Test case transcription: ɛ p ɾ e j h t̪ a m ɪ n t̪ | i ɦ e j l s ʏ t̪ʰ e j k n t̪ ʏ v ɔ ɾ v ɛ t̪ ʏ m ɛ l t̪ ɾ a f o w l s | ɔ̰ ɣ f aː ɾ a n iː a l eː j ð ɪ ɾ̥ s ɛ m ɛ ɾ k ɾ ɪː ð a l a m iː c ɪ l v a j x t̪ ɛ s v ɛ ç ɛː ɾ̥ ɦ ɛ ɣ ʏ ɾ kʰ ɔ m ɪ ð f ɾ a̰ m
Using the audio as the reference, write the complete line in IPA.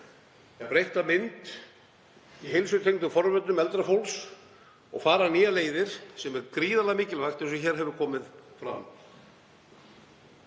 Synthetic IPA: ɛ p ɾ e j h t̪ a m ɪ n t̪ | i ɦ e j l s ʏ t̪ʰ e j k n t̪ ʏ f ɔ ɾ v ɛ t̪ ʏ m ɛ l t̪ ɾ a f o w l s | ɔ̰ ɣ f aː ɾ a n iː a l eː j ð ɪ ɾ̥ s ɛ m ɛ ɾ k ɾ iː ð a l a m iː c ɪ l v a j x t̪ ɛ s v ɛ ç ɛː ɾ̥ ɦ ɛ v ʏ ɾ kʰ ɔː m ɪ ð f ɾ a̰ m